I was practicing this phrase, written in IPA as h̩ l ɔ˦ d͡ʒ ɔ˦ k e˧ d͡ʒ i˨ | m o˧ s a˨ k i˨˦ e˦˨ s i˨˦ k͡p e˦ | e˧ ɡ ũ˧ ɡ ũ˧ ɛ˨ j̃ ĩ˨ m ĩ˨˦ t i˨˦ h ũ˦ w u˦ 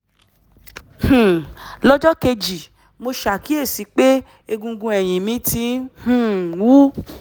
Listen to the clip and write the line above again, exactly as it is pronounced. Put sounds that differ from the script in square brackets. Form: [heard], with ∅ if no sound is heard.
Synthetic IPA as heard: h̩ l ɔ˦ d͡ʒ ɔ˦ k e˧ d͡ʒ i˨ | m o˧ [ʃ] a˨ k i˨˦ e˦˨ s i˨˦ k͡p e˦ | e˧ ɡ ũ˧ ɡ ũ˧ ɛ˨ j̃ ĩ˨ m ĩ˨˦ t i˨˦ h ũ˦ w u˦

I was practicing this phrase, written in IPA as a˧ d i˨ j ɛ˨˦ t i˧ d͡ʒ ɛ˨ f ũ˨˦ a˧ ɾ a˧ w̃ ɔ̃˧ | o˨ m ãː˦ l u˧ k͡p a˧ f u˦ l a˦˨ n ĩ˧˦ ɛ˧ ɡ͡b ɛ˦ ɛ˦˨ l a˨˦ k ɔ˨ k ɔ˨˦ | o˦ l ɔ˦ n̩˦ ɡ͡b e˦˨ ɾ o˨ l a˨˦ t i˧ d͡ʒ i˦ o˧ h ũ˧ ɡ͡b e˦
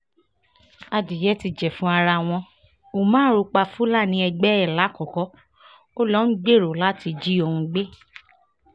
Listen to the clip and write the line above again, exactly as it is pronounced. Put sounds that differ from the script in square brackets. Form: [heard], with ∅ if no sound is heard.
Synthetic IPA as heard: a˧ d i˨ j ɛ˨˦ t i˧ d͡ʒ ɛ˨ f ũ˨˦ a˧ ɾ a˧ w̃ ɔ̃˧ | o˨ m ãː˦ [ɾ] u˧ k͡p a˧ f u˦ l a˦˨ n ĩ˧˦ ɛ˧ ɡ͡b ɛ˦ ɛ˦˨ l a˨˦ k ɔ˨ k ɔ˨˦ | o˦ l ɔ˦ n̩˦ ɡ͡b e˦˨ ɾ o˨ l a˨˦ t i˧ d͡ʒ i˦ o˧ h ũ˧ ɡ͡b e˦

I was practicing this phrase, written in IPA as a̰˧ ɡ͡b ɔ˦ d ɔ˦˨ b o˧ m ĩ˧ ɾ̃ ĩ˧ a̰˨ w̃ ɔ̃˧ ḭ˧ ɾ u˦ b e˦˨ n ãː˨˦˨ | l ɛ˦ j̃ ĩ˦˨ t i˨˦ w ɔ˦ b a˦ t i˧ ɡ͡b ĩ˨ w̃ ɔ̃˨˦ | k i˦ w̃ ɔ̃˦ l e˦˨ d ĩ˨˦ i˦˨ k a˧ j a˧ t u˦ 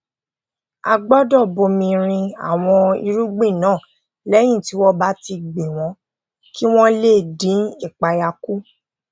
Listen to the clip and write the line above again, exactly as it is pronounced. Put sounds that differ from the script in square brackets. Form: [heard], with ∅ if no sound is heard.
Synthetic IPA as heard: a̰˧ ɡ͡b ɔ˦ d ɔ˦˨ b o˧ m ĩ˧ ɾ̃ ĩ˧ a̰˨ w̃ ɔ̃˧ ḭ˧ ɾ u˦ [ɡ͡b] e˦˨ n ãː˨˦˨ | l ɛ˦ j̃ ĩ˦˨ t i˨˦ w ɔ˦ b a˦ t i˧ ɡ͡b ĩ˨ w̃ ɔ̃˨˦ | k i˦ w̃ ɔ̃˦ l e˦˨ d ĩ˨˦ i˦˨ [k͡p] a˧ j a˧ [k] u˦

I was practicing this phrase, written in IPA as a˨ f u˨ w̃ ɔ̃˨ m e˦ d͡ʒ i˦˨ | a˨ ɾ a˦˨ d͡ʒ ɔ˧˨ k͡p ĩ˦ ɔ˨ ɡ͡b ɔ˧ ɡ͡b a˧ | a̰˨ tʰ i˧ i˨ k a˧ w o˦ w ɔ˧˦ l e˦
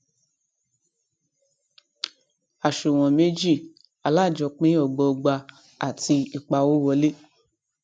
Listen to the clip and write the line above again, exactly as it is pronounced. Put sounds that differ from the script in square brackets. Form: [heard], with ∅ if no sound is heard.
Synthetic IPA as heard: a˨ [ʃ] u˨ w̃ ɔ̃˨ m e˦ d͡ʒ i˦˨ | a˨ [l] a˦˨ d͡ʒ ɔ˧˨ k͡p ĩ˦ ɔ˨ ɡ͡b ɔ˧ ɡ͡b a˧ | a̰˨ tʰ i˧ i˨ [k͡p] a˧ w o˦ w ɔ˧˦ l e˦

